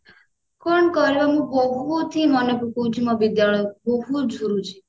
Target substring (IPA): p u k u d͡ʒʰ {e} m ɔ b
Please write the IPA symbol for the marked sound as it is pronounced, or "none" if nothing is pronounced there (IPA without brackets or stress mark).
i